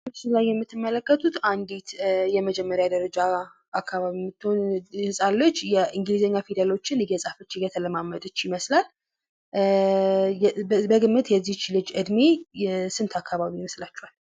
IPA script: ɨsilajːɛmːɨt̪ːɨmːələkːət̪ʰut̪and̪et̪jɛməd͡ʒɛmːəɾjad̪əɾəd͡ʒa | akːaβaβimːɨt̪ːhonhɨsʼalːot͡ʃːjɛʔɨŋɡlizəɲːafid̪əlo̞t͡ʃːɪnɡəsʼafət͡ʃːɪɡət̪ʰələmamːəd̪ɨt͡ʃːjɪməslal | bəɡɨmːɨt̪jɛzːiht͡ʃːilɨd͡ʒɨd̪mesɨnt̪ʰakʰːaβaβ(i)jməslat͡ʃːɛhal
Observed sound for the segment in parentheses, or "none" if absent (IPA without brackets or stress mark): i